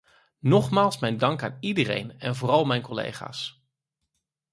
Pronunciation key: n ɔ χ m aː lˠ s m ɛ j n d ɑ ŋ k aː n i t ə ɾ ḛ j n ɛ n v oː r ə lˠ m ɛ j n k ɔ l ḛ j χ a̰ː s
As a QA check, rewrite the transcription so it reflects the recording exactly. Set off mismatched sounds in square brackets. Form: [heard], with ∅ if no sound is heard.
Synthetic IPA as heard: n ɔ χ m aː lˠ s m ɛ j n d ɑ ŋ k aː n i [d] ə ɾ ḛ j n ɛ n v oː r [ɑ] lˠ m ɛ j n k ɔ l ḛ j χ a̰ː s